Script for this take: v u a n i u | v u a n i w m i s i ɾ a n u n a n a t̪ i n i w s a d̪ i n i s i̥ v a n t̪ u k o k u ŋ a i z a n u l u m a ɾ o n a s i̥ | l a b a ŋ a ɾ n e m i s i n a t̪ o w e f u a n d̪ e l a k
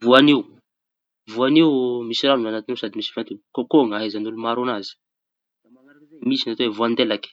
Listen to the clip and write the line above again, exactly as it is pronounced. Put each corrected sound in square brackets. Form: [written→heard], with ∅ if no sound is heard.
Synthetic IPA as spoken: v u a n i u | v u a n i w m i s i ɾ a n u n a n a t̪ i n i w s a d̪ i [n→m] i s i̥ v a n t̪ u k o k [u→o] ŋ a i z a n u l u m a ɾ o n a [s→z] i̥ | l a [b→m] a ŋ a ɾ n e m i s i n a t̪ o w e [f→v] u a n d̪ e l a k

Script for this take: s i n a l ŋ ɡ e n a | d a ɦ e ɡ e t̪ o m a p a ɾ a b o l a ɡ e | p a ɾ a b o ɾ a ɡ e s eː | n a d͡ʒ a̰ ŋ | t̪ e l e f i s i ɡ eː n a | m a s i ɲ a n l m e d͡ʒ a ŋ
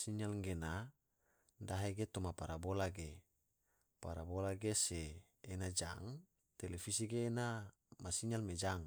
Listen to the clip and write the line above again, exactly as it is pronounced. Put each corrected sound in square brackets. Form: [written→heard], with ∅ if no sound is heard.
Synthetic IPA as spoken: s i [n→ɲ] a l ŋ ɡ e n a | d a ɦ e ɡ e t̪ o m a p a ɾ a b o l a ɡ e | p a ɾ a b o [ɾ→l] a ɡ e s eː | n a d͡ʒ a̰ ŋ | t̪ e l e f i s i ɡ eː n a | m a s i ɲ a [n→∅] l m e d͡ʒ a ŋ

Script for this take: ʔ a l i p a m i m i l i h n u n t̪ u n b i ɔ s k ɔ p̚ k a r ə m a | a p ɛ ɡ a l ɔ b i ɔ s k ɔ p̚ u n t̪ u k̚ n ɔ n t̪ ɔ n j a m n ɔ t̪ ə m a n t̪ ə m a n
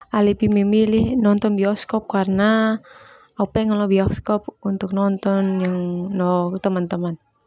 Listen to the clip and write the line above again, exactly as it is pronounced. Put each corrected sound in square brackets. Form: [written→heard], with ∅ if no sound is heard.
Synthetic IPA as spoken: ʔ a l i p [a→i] m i m i l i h n [u→ɔ] n t̪ [u→ɔ] n b i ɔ s k ɔ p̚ k a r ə [m→n] a | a p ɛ [ɡ→ŋ] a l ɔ b i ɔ s k ɔ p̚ u n t̪ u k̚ n ɔ n t̪ ɔ n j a [m→ŋ] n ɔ t̪ ə m a n t̪ ə m a n

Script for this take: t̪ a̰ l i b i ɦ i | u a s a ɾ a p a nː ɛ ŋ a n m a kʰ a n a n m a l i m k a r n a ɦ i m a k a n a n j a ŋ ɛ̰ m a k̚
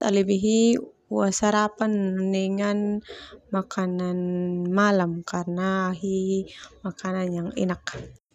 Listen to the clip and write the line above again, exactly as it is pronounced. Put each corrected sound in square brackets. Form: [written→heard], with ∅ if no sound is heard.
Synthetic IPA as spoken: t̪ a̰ l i b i ɦ i | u a s a ɾ a p a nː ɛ ŋ a n m a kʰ a n a n m a l [i→a] m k a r n a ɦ i m a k a n a n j a ŋ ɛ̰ [m→n] a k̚

